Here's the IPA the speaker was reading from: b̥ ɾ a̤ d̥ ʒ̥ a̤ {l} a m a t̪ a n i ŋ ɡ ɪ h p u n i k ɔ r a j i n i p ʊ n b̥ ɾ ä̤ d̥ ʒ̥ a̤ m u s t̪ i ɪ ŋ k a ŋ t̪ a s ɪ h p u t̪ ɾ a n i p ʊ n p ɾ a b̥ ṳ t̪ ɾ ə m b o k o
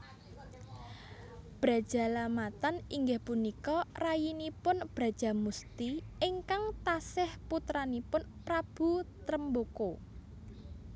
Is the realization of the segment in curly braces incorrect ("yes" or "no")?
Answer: no